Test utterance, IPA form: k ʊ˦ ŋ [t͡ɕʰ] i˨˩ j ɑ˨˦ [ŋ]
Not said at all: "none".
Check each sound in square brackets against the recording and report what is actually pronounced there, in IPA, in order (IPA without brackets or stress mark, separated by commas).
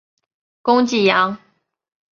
t͡ɕ, ŋ